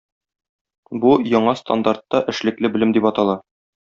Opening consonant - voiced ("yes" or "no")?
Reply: yes